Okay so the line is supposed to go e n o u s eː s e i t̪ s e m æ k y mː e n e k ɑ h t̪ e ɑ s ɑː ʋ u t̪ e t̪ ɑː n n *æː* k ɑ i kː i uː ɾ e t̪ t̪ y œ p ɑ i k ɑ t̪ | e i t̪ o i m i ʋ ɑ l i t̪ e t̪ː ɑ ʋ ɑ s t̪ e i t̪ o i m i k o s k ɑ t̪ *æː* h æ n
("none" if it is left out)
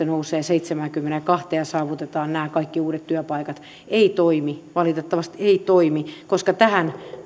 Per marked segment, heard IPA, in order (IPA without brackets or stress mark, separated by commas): æː, æ